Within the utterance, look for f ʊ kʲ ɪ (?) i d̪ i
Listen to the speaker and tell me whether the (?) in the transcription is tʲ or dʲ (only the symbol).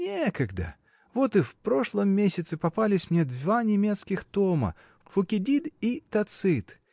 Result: dʲ